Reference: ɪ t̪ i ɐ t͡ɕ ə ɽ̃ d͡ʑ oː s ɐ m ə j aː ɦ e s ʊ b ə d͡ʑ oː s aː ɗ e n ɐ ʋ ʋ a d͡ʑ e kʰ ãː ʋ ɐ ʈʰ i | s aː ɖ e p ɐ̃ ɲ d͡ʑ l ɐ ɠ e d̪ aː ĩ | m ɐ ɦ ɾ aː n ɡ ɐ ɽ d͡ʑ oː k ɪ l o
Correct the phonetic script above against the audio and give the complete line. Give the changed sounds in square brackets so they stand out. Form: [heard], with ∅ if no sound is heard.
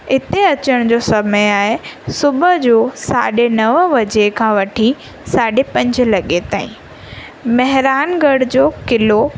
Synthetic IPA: ɪ t̪ [e] ɐ t͡ɕ ə ɽ̃ d͡ʑ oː s ɐ m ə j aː ɦ e s ʊ b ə d͡ʑ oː s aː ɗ e n ɐ ʋ ʋ [ɐ] d͡ʑ e kʰ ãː ʋ ɐ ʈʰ i | s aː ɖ e p ɐ̃ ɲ d͡ʑ l ɐ ɠ e [t̪] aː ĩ | m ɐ ɦ ɾ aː n ɡ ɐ ɽ d͡ʑ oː k ɪ l o

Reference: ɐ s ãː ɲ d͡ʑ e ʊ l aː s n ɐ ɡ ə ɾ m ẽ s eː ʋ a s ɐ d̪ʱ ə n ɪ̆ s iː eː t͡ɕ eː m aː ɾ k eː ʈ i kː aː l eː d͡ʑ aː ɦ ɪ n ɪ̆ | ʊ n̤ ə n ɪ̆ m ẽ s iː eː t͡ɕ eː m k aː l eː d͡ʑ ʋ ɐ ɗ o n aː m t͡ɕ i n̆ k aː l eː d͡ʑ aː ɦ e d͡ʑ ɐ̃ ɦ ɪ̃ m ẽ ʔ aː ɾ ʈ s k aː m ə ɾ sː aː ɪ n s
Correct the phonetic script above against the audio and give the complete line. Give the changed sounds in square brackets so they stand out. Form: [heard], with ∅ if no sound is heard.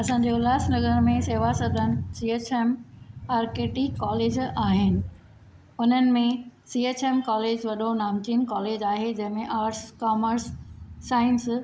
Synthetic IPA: ɐ s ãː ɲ d͡ʑ e ʊ l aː s n ɐ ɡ ə ɾ m ẽ s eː ʋ a s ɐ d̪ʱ ə n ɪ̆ s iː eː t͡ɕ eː m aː ɾ k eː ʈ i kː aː l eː d͡ʑ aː ɦ ɪ n ɪ̆ | ʊ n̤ ə n ɪ̆ m ẽ s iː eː t͡ɕ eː m k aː l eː d͡ʑ ʋ ɐ ɗ o n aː m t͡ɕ i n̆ k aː l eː d͡ʑ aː ɦ e d͡ʑ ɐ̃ ɦ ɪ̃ m ẽ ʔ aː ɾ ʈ s k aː m ə ɾ sː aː ɪ n s

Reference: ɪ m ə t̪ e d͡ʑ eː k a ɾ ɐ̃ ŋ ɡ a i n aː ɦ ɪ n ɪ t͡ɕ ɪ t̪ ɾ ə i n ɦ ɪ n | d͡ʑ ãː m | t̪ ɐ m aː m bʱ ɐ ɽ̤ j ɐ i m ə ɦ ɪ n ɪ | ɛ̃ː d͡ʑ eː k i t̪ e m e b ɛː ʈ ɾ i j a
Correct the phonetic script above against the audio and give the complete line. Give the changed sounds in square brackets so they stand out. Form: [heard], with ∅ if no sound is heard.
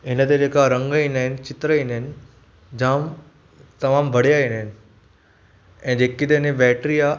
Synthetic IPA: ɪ [n] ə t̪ e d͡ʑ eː k a ɾ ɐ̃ ŋ ɡ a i n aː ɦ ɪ n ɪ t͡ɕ ɪ t̪ ɾ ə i n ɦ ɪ n | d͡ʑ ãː m | t̪ ɐ m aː m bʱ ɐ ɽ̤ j [a] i [n] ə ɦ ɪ n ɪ | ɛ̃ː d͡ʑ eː k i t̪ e [n] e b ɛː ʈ ɾ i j a

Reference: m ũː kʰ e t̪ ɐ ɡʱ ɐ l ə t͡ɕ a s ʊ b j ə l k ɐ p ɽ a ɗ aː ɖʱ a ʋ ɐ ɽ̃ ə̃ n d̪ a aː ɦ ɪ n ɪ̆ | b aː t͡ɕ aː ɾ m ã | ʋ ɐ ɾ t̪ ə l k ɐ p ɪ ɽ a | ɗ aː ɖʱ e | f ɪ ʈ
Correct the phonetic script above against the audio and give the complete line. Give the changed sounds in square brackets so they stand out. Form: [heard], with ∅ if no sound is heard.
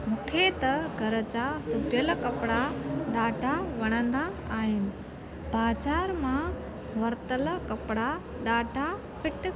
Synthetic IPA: m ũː kʰ e t̪ ɐ ɡʱ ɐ [ɾ] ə t͡ɕ a s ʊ b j ə l k ɐ p ɽ a ɗ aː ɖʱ a ʋ ɐ ɽ̃ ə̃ n d̪ a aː ɦ ɪ n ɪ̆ | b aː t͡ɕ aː ɾ m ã | ʋ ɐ ɾ t̪ ə l k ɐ p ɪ ɽ a | ɗ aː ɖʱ [a] | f ɪ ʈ

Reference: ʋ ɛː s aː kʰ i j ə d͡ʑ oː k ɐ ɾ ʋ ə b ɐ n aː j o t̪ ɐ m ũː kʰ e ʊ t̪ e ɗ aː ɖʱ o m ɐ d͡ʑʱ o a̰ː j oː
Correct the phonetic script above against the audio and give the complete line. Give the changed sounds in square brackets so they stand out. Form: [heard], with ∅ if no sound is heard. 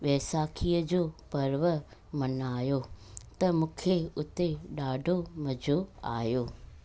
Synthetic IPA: ʋ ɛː s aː kʰ i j ə d͡ʑ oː [p] ɐ ɾ ʋ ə [m] ɐ n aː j o t̪ ɐ m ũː kʰ e ʊ t̪ e ɗ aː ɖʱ o m ɐ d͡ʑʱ o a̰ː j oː

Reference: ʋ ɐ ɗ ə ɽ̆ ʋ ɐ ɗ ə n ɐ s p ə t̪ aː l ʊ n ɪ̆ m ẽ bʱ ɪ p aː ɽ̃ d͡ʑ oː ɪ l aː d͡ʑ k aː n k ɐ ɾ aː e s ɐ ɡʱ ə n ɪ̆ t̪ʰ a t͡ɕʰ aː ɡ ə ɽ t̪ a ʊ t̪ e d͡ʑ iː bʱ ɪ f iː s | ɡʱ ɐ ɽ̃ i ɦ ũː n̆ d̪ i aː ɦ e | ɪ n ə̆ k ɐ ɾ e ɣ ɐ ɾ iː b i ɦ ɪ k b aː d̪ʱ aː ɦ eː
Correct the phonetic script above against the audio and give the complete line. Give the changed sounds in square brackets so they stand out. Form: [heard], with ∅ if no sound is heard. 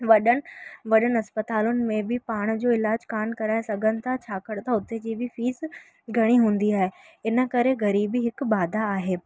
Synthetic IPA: ʋ ɐ ɗ ə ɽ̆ ʋ ɐ ɗ ə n ɐ s p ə t̪ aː l ʊ n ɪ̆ m ẽ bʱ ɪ p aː ɽ̃ d͡ʑ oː ɪ l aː d͡ʑ k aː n k ɐ ɾ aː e s ɐ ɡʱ ə n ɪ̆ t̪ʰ a t͡ɕʰ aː [k] ə ɽ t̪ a ʊ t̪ e d͡ʑ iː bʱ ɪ f iː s | ɡʱ ɐ ɽ̃ i ɦ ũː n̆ d̪ i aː ɦ e | ɪ n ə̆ k ɐ ɾ e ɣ ɐ ɾ iː b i ɦ ɪ k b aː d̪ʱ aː ɦ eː

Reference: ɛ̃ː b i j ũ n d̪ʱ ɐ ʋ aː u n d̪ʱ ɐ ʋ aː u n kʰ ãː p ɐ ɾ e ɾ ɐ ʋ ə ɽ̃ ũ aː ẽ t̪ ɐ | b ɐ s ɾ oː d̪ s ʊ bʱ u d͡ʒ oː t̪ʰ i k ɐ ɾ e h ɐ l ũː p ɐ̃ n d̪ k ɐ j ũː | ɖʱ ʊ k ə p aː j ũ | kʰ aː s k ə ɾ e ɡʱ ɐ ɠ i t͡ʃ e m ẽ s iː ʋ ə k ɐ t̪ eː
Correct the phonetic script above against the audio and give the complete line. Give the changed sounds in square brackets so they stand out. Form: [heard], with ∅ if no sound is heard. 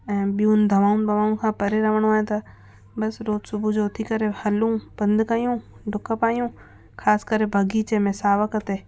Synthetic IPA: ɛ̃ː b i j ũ n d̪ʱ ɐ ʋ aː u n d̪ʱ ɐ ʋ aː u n kʰ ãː p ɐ ɾ e ɾ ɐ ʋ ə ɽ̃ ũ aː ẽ t̪ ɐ | b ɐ s ɾ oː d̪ s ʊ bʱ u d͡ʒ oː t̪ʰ i k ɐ ɾ e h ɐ l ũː p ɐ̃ n d̪ k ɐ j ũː | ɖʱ ʊ k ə p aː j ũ | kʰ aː s k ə ɾ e [bʱ] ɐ [ɡ] i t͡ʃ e m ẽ s [aː] ʋ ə k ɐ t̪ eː

